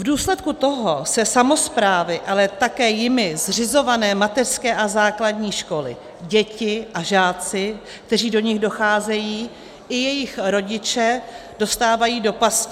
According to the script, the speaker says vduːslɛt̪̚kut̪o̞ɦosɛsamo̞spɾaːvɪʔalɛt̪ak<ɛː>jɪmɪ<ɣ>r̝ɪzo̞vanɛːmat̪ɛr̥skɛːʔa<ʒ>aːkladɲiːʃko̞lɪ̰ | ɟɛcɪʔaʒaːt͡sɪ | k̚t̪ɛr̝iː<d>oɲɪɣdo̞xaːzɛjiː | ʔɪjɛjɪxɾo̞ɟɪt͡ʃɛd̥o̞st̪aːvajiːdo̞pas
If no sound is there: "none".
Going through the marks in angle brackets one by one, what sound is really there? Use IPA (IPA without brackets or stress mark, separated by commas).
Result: ɛː, z, z, d